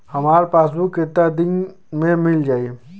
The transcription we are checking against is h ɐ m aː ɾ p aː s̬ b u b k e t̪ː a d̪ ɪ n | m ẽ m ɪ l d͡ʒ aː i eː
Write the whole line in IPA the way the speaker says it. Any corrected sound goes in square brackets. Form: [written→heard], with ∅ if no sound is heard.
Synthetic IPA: h ɐ m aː ɾ p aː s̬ b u [b→∅] k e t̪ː a d̪ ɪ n | m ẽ m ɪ l d͡ʒ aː i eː